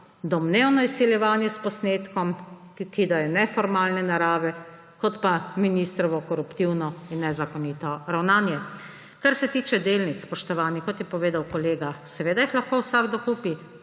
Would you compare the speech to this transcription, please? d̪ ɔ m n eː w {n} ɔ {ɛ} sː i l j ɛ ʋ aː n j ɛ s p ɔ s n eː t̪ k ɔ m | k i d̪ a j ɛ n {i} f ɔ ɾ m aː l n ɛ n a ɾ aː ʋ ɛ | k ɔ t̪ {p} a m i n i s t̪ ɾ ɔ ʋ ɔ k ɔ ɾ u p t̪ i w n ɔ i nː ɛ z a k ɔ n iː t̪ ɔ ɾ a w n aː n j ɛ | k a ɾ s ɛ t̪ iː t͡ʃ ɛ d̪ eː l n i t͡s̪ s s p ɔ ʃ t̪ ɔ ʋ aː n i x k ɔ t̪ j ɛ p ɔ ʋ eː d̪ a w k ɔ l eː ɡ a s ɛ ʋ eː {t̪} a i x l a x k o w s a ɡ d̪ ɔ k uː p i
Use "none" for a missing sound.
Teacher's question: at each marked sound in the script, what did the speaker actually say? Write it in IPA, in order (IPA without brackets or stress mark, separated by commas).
n, i, ɛ, p, d̪